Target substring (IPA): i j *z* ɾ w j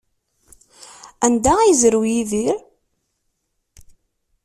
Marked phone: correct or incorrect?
correct